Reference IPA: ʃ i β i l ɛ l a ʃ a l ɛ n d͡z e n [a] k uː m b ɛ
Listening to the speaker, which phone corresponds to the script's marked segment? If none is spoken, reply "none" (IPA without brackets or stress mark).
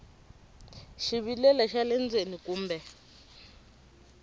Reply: i